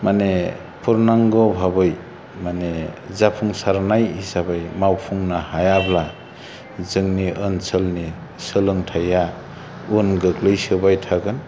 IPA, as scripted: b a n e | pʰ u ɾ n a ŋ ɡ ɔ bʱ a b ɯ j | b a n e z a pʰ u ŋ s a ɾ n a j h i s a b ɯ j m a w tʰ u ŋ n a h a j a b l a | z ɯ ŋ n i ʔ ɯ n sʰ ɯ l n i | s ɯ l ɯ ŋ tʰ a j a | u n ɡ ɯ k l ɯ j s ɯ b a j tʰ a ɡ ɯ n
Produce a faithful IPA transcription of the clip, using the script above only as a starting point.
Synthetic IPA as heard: m a n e | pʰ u ɾ n a ŋ ɡ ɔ bʱ a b ɯ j | m a n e z a pʰ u ŋ s a ɾ n a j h i s a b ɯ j m a w pʰ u ŋ n a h a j a b l a | z ɯ ŋ n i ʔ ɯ n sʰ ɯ l n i | s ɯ l ɯ ŋ tʰ a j a | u n ɡ ɯ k l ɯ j s ɯ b a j tʰ a ɡ ɯ n